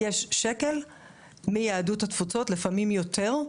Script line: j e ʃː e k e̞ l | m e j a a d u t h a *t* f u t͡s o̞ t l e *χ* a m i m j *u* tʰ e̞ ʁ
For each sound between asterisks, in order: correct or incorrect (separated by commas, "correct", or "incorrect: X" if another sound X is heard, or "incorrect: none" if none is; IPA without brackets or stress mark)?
correct, incorrect: f, incorrect: o